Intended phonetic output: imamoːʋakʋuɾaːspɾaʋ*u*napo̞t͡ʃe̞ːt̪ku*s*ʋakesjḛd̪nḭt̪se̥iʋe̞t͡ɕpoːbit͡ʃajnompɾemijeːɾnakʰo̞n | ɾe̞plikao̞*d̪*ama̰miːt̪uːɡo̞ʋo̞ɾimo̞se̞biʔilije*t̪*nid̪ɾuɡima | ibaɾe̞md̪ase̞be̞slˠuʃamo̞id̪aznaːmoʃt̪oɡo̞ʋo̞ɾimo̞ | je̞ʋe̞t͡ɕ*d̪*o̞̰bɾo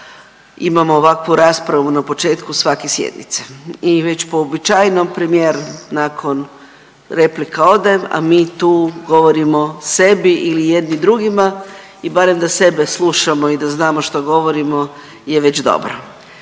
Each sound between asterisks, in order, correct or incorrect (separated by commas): correct, correct, correct, incorrect, correct